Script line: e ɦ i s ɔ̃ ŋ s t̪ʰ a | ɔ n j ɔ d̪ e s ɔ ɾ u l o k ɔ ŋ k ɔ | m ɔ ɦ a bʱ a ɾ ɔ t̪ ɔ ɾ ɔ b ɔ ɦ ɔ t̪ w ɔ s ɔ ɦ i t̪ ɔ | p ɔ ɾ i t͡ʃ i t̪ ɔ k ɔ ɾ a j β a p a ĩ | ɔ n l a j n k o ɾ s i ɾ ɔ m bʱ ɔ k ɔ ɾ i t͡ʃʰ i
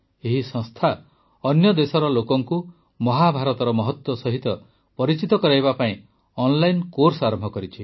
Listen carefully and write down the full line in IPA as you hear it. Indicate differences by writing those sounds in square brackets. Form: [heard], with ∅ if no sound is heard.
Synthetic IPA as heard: e ɦ i s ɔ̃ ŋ s t̪ʰ a | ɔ n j ɔ d̪ e s ɔ ɾ [ɔ] l o k ɔ ŋ k [u] | m ɔ ɦ a bʱ a ɾ ɔ t̪ ɔ ɾ ɔ [m] ɔ ɦ ɔ t̪ w ɔ s ɔ ɦ i t̪ ɔ | p ɔ ɾ i t͡ʃ i t̪ ɔ k ɔ ɾ a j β a p a ĩ | ɔ n l a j n k o ɾ s [a] ɾ ɔ m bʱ ɔ k ɔ ɾ i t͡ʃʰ i